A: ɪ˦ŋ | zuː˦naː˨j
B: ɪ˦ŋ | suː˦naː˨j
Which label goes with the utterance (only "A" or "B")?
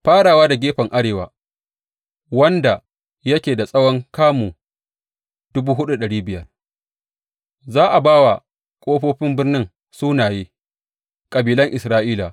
B